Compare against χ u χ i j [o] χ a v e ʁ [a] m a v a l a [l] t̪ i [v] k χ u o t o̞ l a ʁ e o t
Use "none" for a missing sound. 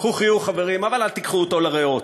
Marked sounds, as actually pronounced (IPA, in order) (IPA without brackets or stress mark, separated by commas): u, i, l, none